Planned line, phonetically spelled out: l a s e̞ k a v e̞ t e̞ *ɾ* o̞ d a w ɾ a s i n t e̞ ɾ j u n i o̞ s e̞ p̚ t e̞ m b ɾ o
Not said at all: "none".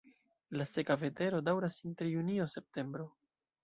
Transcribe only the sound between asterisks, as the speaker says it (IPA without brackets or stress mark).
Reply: ɾ